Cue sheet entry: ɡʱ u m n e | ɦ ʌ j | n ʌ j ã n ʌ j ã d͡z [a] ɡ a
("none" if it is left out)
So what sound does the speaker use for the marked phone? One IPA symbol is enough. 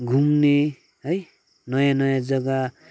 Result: ʌ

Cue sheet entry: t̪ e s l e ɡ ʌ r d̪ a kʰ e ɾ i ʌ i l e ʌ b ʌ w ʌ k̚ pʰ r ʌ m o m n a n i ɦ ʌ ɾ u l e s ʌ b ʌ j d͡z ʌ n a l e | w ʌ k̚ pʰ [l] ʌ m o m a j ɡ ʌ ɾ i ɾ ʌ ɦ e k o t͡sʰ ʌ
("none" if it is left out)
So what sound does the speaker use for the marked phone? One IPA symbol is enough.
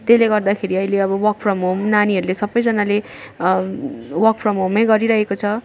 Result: r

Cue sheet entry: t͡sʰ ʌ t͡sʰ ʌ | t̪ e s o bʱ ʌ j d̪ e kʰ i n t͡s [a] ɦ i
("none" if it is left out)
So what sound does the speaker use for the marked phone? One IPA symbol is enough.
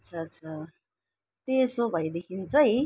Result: ʌ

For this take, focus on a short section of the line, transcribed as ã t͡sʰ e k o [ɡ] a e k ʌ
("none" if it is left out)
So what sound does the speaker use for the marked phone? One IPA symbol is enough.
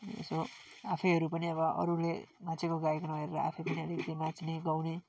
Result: ɡ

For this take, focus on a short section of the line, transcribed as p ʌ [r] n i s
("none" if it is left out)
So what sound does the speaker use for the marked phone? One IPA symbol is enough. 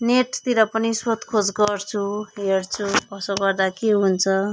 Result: none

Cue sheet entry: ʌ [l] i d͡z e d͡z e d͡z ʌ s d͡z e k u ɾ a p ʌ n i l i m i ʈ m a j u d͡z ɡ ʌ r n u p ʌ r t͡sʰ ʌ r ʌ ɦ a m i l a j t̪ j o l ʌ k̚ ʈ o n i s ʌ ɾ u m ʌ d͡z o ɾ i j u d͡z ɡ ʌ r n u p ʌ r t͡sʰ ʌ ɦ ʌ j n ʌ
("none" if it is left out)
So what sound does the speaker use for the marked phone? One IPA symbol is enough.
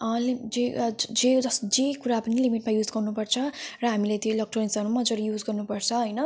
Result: l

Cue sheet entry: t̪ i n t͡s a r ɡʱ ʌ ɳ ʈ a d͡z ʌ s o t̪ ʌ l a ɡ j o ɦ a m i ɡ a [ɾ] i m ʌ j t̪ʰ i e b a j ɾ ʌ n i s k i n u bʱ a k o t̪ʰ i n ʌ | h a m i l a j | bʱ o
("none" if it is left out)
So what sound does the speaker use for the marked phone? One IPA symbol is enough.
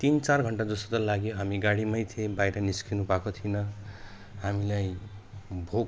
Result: ɽ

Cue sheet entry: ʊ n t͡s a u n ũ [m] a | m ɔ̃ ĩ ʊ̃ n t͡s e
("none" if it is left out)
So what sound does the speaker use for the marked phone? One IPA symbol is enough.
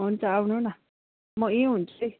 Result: n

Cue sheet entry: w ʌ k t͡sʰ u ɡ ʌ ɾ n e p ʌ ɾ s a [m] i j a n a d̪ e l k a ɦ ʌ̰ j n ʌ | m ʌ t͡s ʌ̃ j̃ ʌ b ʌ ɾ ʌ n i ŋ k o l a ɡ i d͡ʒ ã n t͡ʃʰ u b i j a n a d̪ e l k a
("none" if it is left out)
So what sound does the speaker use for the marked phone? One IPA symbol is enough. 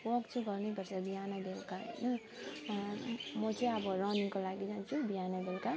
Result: b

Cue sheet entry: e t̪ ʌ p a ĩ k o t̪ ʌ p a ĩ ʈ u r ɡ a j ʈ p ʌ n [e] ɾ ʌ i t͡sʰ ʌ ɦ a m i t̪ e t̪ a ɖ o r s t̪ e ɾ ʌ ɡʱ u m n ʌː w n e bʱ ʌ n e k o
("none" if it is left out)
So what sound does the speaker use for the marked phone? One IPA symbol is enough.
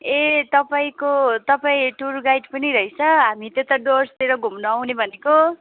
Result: i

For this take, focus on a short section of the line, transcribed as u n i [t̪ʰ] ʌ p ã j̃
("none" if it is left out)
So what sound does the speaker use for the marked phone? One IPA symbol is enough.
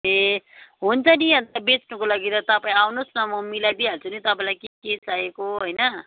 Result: t̪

